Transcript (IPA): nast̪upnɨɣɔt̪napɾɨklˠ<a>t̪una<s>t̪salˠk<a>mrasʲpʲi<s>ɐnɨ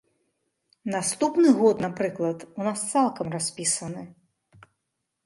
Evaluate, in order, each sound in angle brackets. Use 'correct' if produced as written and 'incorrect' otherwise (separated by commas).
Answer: incorrect, correct, incorrect, correct